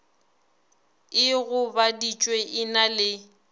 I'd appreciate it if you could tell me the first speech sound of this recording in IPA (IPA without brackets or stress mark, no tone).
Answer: ɪ